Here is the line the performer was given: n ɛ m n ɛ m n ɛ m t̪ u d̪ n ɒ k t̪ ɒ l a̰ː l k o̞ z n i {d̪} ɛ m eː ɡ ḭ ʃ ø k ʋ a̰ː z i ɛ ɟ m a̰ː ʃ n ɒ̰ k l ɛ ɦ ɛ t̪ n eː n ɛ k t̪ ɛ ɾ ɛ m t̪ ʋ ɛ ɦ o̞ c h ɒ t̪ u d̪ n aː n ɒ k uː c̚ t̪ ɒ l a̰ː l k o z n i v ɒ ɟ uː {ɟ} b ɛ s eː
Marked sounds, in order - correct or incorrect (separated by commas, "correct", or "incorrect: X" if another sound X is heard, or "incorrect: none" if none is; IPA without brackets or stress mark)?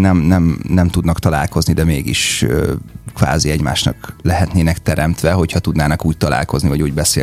correct, correct